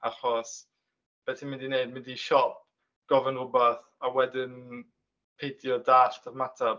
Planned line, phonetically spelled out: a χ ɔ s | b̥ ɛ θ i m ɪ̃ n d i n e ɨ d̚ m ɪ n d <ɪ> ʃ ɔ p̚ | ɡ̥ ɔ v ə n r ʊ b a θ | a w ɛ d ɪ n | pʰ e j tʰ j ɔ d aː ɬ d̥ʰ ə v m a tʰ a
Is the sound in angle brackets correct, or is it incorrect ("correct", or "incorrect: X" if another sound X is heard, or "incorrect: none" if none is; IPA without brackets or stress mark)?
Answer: incorrect: i